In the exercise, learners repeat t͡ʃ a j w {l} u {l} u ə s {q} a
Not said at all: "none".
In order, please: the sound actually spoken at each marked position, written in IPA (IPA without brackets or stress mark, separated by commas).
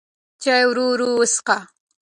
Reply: ɾ, ɾ, q